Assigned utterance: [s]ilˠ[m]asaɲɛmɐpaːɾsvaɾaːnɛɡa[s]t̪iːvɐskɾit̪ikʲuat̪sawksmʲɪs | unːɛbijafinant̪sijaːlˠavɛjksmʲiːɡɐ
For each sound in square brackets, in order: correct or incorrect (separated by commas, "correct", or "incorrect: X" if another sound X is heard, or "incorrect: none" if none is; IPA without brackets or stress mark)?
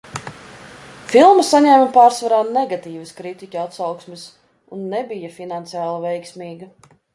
incorrect: f, correct, incorrect: none